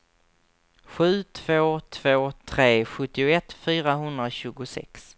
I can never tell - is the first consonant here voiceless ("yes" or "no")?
yes